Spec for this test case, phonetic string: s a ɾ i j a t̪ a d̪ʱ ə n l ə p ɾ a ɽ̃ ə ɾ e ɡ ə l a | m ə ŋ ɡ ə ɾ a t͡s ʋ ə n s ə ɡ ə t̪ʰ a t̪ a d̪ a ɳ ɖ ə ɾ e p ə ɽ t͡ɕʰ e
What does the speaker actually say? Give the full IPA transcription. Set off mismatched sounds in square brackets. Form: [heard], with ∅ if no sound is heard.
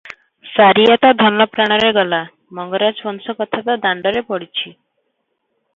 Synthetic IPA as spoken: s a ɾ i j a t̪ a d̪ʱ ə n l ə p ɾ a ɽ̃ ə ɾ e ɡ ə l a | m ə ŋ ɡ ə ɾ a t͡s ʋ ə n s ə [k] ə t̪ʰ a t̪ a d̪ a ɳ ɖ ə ɾ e p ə ɽ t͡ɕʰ [i]